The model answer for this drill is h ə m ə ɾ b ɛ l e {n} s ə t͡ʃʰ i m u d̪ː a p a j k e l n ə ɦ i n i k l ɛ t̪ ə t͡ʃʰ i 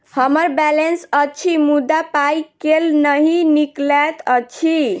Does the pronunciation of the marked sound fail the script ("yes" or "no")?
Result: no